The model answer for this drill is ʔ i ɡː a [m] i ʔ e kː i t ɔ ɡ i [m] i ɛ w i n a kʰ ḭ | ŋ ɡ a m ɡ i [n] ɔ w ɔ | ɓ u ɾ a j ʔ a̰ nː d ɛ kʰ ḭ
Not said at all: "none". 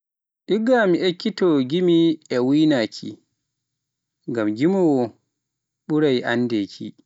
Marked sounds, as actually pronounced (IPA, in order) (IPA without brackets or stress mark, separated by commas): m, m, m